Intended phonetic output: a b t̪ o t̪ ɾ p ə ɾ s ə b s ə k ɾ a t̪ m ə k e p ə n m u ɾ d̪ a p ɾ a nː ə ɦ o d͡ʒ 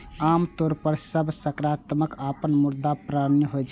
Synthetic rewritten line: a m t̪ o ɾ p ə ɾ s ə b s ə k ɾ a t̪ m ə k a p ə n m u ɾ d̪ a p ɾ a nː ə ɦ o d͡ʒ

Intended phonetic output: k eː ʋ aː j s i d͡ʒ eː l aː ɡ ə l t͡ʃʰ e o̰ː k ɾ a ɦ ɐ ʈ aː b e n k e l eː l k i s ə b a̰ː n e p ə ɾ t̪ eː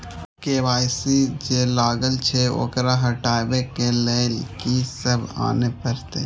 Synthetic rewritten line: k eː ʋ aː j s i d͡ʒ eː l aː ɡ ə l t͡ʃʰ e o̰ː k ɾ a ɦ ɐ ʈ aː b e k e l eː l k i s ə b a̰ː n e p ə ɾ t̪ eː

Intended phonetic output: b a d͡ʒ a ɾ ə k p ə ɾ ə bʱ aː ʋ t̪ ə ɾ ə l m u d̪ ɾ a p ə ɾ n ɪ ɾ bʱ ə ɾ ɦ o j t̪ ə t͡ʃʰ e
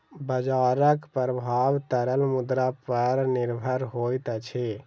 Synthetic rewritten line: b ə d͡ʒ a ɾ ə k p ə ɾ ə bʱ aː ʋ t̪ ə ɾ ə l m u d̪ ɾ a p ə ɾ n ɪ ɾ bʱ ə ɾ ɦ o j t̪ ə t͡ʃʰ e

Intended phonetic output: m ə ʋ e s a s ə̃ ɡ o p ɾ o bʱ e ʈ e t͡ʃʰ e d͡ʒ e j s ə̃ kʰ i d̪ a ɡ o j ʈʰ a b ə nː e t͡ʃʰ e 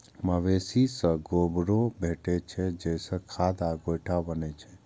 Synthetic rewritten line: m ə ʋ e s i s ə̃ ɡ o b ɾ o bʱ e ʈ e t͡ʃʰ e d͡ʒ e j s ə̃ kʰ a d̪ a ɡ o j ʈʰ a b ə n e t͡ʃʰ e

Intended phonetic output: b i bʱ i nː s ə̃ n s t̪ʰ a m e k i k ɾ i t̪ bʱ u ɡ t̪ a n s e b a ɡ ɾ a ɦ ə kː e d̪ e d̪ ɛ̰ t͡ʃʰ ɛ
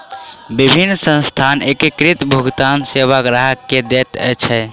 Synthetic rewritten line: b i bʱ i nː s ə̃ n s t̪ʰ a n e k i k ɾ i t̪ bʱ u ɡ t̪ a n s e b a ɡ ɾ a ɦ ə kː e d̪ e t̪ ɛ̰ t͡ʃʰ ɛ

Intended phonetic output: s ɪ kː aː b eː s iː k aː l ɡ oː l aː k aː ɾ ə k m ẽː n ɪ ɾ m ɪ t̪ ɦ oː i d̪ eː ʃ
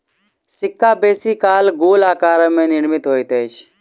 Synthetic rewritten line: s ɪ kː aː b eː s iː k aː l ɡ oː l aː k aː ɾ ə m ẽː n ɪ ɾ m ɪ t̪ ɦ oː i t̪ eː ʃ

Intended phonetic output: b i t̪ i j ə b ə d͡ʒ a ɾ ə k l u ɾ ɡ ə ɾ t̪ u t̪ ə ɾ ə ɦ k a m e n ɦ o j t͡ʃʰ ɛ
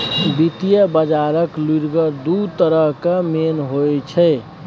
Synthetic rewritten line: b i t̪ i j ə b ə d͡ʒ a ɾ ə k l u ɾ ɡ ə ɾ d̪ u t̪ ə ɾ ə ɦ k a m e n ɦ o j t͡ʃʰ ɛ

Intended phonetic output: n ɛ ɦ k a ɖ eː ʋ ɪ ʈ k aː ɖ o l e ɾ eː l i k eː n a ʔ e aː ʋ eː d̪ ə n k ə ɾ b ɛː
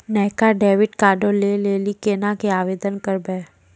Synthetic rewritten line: n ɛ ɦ k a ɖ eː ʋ ɪ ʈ k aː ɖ o l e l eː l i k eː n a k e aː ʋ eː d̪ ə n k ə ɾ b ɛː

